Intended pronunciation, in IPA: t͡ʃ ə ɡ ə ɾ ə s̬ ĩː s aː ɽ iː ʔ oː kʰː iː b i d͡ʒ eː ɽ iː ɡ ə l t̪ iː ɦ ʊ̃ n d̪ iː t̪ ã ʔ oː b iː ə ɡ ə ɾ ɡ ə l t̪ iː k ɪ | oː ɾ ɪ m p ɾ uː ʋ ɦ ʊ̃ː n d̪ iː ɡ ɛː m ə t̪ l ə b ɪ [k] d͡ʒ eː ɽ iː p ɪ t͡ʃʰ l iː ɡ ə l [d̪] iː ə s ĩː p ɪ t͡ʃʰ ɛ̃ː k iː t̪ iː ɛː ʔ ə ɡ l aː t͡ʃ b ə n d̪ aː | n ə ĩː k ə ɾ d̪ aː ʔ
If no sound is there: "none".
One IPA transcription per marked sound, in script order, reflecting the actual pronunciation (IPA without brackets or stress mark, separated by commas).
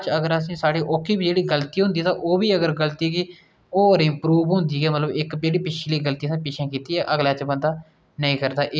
k, t̪